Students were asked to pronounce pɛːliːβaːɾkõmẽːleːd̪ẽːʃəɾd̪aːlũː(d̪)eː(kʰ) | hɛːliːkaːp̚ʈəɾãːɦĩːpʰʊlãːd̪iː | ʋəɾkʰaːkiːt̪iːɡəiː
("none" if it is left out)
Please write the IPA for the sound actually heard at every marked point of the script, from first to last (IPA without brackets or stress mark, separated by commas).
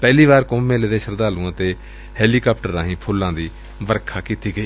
t̪, none